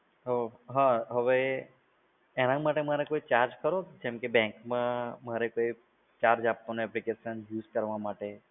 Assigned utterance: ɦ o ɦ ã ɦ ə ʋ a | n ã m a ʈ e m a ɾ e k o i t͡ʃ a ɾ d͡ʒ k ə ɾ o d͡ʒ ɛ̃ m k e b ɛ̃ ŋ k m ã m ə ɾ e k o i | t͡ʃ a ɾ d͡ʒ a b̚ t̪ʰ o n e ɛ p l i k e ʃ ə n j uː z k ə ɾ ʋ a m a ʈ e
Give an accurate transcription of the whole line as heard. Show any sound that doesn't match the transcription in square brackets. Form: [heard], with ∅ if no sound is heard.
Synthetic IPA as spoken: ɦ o ɦ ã ɦ ə ʋ [e] | n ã m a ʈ e m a ɾ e k o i t͡ʃ a ɾ d͡ʒ k ə ɾ o d͡ʒ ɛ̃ m k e b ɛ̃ ŋ k m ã m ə ɾ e k o i | t͡ʃ a ɾ d͡ʒ a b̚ [t̪] o n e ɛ p l i k e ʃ ə n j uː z k ə ɾ ʋ a m a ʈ e